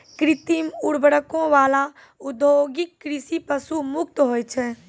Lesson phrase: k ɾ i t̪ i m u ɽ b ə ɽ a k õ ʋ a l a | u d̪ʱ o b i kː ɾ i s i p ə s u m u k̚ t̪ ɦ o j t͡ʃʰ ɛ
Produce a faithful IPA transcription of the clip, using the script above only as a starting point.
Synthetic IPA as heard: k ɾ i t̪ i m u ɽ b ə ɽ ə k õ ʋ a l a | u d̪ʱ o ɡ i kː ɾ i s i p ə s u m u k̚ t̪ ɦ o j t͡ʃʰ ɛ